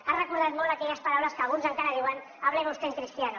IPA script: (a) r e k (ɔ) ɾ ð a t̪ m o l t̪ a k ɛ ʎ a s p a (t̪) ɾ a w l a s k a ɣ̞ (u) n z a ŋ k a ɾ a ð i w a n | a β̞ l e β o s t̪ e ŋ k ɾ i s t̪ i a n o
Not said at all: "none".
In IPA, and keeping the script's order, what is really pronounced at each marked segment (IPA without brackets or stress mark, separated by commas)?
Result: a, u, none, u